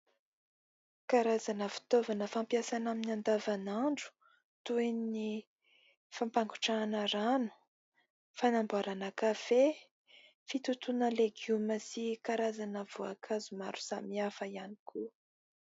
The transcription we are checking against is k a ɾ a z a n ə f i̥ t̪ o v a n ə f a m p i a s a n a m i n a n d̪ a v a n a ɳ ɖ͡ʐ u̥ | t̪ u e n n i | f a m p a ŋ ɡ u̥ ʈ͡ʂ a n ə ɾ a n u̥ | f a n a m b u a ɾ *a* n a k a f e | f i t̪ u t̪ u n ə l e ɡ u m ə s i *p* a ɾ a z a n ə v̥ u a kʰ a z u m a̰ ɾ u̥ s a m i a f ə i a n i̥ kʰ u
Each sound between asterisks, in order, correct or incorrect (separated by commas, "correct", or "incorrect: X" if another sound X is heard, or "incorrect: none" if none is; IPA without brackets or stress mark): correct, incorrect: k